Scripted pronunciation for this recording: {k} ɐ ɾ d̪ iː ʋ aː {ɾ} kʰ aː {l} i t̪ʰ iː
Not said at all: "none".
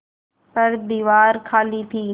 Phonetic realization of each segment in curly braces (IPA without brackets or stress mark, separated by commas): p, ɾ, l